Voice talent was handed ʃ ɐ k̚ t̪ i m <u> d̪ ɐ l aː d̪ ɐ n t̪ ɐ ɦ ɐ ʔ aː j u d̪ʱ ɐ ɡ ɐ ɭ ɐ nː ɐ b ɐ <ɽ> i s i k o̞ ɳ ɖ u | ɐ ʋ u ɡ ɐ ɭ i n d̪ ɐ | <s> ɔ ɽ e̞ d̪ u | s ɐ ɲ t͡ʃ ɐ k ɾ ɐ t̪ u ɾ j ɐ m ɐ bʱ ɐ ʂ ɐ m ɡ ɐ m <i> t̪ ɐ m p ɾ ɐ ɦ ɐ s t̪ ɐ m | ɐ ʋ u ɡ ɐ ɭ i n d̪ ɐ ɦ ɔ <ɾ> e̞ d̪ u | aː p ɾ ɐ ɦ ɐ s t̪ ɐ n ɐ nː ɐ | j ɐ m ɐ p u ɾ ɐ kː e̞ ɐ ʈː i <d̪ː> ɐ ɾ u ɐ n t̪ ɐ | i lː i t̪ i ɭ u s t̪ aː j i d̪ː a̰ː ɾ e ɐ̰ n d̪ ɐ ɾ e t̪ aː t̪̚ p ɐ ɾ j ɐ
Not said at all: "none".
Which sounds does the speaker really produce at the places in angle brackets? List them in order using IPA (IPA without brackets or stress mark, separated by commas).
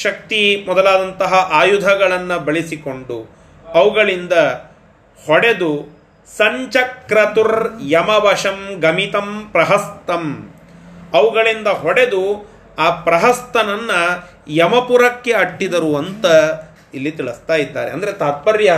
ɔ, ɭ, h, i, ɽ, d̪